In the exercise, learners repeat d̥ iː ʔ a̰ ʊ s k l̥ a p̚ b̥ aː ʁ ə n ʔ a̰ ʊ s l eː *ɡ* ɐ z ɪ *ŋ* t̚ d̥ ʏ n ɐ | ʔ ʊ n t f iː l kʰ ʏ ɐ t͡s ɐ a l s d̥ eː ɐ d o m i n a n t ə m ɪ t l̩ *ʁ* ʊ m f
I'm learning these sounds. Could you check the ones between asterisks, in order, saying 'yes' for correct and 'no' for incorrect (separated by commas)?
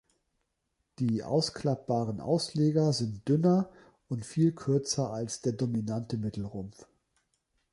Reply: yes, no, yes